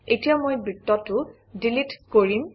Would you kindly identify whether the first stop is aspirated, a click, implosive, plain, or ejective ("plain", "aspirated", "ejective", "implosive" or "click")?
plain